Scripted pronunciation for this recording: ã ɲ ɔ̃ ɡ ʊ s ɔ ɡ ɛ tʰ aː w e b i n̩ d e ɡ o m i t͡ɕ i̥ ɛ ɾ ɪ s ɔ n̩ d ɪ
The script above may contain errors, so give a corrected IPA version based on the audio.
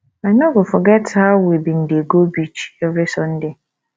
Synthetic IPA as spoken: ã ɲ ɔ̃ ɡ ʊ f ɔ ɡ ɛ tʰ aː w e b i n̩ d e ɡ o b i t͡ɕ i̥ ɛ ɾ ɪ s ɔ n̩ d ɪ